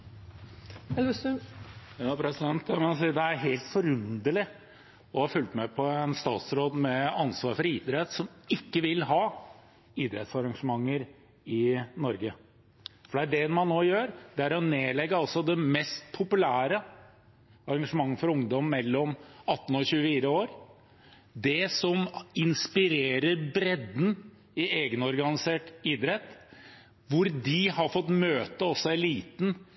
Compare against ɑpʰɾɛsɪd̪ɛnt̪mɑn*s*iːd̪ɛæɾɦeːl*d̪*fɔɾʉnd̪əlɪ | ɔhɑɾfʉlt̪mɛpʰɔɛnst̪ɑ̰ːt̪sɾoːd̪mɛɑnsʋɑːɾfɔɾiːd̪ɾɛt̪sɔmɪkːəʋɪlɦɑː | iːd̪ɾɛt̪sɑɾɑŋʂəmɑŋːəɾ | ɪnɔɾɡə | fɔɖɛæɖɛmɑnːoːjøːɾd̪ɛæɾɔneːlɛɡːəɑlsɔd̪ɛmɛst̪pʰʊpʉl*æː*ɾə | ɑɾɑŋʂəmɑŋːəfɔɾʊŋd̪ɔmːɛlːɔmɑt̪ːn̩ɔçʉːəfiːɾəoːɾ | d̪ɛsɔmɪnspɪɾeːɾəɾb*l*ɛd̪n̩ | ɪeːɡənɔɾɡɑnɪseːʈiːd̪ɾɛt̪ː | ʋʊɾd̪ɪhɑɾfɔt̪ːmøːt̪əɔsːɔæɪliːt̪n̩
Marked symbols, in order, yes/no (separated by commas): yes, no, yes, no